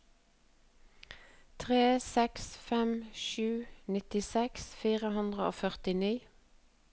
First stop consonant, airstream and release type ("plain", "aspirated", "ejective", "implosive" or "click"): aspirated